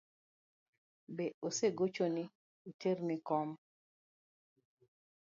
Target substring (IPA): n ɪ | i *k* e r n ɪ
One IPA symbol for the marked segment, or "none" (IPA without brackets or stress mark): t